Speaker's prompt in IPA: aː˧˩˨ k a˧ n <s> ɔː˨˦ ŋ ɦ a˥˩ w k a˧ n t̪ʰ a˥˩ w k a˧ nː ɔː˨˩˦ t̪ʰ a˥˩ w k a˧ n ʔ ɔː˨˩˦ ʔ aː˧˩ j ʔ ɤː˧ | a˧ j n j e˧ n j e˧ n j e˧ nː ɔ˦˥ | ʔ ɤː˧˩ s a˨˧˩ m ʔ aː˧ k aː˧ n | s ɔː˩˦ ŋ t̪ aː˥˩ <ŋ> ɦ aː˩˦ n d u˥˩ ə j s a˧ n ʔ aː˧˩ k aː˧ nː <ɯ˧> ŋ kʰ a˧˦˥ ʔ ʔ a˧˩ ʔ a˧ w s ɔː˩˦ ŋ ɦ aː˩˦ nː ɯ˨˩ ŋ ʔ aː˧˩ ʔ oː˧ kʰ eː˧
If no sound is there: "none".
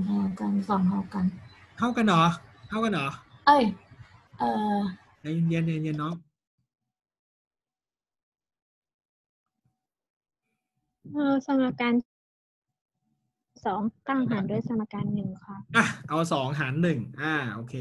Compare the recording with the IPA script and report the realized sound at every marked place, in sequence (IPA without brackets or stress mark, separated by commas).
s, ŋ, ɯ˨˩